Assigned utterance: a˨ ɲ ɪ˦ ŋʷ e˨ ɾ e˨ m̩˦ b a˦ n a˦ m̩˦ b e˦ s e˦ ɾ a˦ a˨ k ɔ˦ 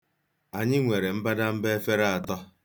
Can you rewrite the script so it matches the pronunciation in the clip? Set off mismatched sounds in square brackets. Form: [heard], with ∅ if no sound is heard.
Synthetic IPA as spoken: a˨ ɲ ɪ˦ ŋʷ e˨ ɾ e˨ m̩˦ b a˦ [d] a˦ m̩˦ b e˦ [f] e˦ ɾ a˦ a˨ [t] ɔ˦